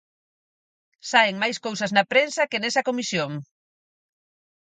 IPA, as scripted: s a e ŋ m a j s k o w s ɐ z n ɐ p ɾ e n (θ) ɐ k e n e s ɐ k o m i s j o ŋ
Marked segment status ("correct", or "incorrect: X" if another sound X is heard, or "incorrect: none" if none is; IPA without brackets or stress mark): incorrect: s